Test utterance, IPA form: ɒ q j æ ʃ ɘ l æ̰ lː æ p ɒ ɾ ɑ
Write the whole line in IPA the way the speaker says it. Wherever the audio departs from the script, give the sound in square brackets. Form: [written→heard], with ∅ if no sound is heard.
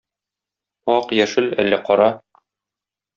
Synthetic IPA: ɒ q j æ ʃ ɘ l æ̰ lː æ [p→q] ɒ ɾ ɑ